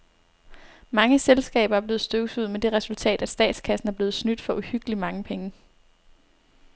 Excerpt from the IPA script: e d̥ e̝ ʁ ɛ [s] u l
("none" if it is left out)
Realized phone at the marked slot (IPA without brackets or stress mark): s